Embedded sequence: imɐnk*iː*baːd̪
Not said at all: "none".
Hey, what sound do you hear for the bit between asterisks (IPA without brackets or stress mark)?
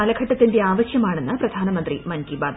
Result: i